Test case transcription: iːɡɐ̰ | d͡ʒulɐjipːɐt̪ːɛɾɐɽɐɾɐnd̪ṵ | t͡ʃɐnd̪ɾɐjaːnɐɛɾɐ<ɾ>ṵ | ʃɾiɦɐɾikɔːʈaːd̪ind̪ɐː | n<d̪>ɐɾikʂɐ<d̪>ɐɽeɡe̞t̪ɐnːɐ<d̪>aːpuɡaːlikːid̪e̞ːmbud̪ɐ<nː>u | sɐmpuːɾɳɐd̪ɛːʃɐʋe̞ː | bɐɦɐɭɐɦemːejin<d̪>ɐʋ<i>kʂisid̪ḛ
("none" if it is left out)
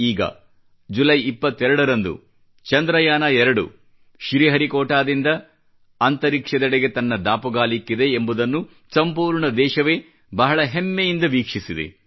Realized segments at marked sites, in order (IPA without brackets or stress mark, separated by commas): ɽ, t̪, d̪, d̪, nː, d̪, iː